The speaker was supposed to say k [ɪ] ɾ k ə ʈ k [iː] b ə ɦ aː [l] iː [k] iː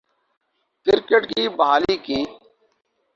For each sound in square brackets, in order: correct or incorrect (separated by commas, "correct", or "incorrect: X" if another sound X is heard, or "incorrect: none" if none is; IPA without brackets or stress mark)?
correct, correct, correct, correct